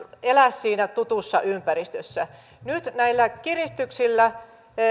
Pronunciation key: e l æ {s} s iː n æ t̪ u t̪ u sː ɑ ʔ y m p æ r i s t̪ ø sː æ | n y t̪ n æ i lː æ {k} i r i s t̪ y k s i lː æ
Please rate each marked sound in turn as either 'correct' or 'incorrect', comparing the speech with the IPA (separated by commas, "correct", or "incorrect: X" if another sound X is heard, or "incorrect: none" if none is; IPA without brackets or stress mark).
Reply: correct, correct